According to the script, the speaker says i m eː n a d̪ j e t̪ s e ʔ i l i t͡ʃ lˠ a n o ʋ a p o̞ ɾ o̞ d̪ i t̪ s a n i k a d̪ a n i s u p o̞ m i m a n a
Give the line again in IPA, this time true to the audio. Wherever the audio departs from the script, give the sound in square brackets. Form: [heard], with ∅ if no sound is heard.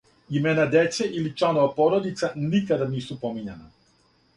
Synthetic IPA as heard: i m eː n a d̪ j e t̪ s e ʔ i l i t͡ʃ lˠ a n o ʋ a p o̞ ɾ o̞ d̪ i t̪ s a n i k a d̪ a n [iː] s u p o̞ m i [ɲ] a n a